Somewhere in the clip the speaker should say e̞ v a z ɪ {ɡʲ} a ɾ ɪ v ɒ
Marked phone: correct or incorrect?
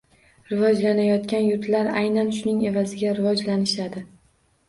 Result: correct